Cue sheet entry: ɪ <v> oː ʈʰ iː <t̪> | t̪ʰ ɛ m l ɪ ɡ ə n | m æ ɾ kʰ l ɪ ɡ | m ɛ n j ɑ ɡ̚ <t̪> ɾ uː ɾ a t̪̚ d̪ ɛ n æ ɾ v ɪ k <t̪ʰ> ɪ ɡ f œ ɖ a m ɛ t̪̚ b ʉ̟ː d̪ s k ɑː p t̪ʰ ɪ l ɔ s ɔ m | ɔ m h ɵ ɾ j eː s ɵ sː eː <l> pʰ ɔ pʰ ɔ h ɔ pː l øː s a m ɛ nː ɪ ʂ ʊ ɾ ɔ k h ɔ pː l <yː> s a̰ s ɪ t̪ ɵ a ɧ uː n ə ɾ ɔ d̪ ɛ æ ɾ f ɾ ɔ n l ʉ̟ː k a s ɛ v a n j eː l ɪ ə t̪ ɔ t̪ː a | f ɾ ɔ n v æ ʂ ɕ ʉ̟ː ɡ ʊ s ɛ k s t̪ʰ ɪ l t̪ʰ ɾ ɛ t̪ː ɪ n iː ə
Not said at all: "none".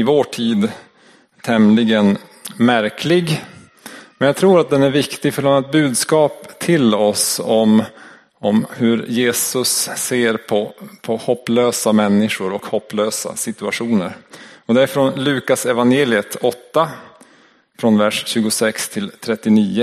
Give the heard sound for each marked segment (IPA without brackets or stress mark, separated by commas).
v, d̪, t̪ʰ, t̪, ɾ, øː